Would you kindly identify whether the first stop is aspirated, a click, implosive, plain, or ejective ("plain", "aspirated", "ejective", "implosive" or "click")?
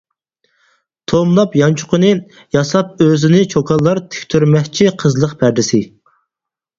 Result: aspirated